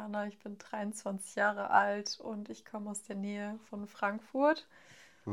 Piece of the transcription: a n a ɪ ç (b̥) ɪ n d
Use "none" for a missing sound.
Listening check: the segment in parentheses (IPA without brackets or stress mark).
b̥